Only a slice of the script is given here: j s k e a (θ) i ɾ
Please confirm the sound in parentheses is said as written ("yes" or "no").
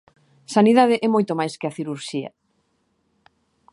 yes